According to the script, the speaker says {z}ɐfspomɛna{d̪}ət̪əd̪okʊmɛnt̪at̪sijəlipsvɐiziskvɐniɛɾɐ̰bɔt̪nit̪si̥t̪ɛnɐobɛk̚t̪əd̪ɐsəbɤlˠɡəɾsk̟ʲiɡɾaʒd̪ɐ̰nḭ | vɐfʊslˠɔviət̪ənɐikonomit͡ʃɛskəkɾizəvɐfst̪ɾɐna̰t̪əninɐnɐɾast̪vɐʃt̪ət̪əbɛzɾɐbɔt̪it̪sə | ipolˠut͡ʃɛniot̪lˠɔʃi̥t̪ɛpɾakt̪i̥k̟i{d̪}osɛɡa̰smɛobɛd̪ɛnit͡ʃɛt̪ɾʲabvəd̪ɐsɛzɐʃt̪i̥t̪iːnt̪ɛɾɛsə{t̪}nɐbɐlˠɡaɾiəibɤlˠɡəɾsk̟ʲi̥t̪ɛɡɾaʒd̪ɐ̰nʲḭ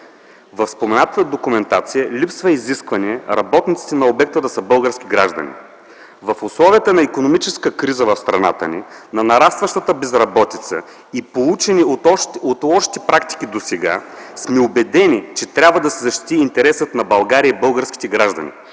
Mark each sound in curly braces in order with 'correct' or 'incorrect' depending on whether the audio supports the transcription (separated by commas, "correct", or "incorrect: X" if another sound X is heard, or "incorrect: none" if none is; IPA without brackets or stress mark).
incorrect: v, incorrect: t̪, correct, correct